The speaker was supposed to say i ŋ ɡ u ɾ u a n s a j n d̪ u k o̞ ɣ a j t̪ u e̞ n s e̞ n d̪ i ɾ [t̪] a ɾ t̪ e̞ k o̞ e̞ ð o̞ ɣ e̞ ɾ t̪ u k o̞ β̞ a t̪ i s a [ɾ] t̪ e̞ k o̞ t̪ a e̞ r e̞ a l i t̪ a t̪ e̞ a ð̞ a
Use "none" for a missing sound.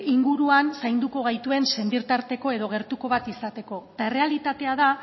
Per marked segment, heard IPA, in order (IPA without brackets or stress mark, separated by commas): t̪, none